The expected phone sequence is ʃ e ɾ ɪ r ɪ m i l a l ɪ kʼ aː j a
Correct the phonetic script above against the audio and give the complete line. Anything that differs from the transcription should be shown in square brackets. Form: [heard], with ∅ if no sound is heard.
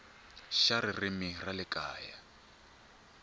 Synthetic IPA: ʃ [a] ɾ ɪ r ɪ m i [r] a l ɪ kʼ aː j a